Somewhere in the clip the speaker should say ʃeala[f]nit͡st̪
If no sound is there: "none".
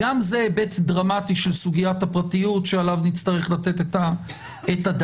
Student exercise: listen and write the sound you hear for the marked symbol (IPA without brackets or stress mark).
v